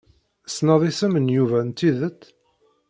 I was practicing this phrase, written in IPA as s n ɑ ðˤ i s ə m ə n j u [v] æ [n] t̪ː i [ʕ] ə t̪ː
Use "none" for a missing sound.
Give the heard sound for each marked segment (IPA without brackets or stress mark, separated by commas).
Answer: v, n, ð